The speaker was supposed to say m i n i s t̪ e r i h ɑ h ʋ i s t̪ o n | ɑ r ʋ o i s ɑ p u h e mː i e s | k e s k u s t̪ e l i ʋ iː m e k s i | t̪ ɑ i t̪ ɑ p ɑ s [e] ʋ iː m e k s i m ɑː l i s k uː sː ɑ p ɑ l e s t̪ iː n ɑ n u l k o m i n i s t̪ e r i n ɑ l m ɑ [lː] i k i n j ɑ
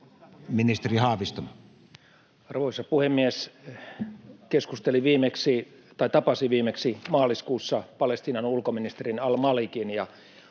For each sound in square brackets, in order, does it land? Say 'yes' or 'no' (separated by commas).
no, no